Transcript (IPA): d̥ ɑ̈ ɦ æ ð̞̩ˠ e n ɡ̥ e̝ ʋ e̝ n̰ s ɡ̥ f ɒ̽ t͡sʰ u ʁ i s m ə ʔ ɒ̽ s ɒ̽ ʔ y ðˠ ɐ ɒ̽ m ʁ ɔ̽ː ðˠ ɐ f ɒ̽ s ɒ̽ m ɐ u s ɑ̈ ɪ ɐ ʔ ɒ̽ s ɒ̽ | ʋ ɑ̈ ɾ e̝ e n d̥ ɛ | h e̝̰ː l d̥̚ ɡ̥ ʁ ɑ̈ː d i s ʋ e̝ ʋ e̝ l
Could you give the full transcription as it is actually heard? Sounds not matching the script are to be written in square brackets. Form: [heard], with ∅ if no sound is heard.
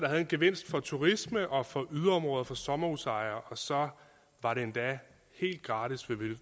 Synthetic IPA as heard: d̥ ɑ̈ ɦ æ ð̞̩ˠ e n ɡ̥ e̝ ʋ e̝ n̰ s [d̥] f ɒ̽ t͡sʰ u ʁ i s m ə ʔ ɒ̽ [f] ɒ̽ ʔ y ðˠ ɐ ɒ̽ m ʁ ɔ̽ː ðˠ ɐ f ɒ̽ s ɒ̽ m ɐ u s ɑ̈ ɪ ɐ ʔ ɒ̽ s ɒ̽ | ʋ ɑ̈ ɾ e̝ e n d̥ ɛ | h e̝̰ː l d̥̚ ɡ̥ ʁ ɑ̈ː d i s ʋ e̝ ʋ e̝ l